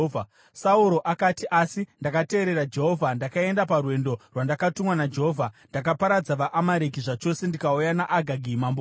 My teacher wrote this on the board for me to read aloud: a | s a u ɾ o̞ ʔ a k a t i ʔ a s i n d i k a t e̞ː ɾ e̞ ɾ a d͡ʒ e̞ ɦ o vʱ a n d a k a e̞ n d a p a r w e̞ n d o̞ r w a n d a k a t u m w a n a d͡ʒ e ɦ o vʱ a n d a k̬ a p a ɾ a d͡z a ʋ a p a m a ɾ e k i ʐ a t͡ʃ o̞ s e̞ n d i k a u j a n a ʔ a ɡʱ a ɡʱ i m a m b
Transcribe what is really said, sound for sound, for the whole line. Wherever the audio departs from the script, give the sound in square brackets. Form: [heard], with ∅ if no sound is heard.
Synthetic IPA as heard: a | s a u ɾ o̞ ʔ a k a t i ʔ a s i n d [a] k a t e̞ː ɾ e̞ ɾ a d͡ʒ e̞ ɦ o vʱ a n d a k a e̞ n d a p a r w e̞ n d o̞ r w a n d a k a t u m w a n a d͡ʒ e ɦ o vʱ a n d a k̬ a p a ɾ a d͡z a ʋ a [ʔ] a m a ɾ e k i ʐ a t͡ʃ o̞ s e̞ n d i k a u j a n a ʔ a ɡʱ a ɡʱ i m a m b